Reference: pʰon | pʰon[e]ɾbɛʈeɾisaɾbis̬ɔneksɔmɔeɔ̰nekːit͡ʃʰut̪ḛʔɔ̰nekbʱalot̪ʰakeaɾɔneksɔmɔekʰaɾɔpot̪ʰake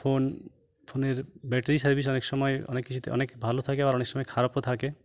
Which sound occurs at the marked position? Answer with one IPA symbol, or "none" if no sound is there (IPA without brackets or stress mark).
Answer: e